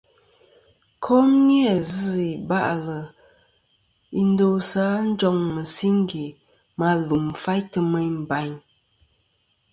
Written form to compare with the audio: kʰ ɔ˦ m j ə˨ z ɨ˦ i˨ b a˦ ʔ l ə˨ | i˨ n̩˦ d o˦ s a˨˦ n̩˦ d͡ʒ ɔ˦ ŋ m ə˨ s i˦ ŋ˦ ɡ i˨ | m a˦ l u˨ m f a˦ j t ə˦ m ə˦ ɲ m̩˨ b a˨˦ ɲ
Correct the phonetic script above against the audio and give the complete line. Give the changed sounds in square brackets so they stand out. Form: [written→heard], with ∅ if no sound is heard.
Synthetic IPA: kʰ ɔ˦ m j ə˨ z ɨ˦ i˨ b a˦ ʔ l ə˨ | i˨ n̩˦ d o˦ s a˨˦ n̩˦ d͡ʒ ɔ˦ ŋ m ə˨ s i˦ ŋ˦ ɡ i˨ | m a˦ l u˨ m f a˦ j t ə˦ m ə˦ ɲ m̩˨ b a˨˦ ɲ